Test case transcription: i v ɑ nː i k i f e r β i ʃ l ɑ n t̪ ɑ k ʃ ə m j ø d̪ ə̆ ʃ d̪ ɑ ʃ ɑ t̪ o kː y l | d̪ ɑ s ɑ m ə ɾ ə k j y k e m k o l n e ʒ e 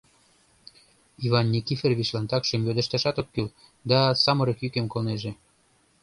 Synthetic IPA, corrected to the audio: i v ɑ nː i k i f e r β i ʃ l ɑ n t̪ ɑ k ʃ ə m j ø d̪ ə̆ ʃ t̪ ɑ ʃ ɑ t̪ o kː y l | d̪ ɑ s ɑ m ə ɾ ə k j y k e m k o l n e ʒ e